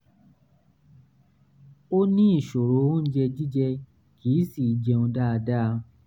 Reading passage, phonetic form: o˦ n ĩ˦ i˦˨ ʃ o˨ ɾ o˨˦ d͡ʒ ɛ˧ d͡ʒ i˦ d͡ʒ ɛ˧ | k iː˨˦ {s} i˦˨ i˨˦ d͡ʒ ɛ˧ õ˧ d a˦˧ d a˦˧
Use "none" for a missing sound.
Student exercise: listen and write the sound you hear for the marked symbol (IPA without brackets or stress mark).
s